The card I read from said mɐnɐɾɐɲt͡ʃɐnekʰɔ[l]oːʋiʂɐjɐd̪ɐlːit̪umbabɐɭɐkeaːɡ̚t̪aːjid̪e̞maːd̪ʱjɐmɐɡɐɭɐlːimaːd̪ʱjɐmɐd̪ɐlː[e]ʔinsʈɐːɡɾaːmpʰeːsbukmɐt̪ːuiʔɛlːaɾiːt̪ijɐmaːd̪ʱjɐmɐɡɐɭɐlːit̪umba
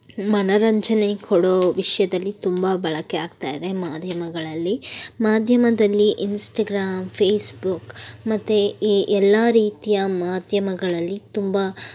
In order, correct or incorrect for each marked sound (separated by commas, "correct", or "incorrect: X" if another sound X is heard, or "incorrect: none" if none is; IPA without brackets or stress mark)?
incorrect: ɽ, incorrect: i